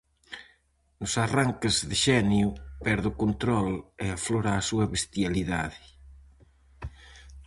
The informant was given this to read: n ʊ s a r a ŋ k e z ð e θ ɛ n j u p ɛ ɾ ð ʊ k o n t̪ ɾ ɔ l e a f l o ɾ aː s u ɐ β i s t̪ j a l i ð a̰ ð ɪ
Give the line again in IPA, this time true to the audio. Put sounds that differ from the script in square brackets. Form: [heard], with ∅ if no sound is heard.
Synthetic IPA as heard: n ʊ s a r a ŋ k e z ð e [ʃ] ɛ n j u p ɛ ɾ ð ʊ k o n t̪ ɾ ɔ l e a f l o ɾ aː s u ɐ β [e] s t̪ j a l i ð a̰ ð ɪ